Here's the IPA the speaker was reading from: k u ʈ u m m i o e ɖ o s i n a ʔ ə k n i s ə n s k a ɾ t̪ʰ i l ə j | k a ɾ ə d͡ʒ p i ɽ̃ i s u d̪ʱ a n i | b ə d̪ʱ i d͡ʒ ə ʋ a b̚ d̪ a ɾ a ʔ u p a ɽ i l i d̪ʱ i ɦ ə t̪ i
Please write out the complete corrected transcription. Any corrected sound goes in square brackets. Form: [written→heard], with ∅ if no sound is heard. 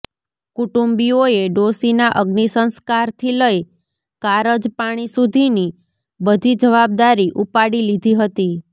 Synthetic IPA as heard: k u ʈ u m [m→b] i o e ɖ o s i n a ʔ ə [k→ɡ] n i s ə n s k a ɾ t̪ʰ i l ə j | k a ɾ ə d͡ʒ p [i→a] ɽ̃ i s u d̪ʱ [a→i] n i | b ə d̪ʱ i d͡ʒ ə ʋ a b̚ d̪ a ɾ [a→i] ʔ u p a ɽ i l i d̪ʱ i ɦ ə t̪ i